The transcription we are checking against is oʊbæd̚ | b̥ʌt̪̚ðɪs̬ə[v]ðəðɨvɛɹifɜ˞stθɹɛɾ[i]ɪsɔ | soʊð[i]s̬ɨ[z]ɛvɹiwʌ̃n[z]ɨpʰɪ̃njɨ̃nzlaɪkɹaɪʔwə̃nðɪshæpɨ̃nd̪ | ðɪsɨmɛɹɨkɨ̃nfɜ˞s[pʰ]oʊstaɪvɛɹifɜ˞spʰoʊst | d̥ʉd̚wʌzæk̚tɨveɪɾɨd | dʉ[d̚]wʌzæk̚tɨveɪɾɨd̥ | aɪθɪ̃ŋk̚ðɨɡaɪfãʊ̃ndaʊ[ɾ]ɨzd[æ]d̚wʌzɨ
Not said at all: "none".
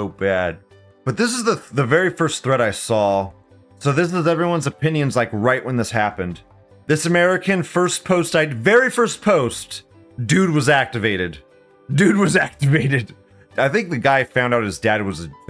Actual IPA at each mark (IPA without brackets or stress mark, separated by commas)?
z, a, ɪ, z, z, pʰ, d̚, ɾ, æ